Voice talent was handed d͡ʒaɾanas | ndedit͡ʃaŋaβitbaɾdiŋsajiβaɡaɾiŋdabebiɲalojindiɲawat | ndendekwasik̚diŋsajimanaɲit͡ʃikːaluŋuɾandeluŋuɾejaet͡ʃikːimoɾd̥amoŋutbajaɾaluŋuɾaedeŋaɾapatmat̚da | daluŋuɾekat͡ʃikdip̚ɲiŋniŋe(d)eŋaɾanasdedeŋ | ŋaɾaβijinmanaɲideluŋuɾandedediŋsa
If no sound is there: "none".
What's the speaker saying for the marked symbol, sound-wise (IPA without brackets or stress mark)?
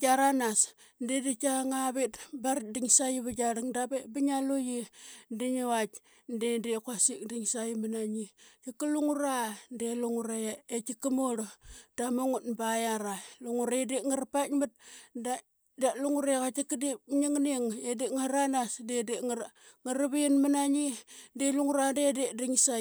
d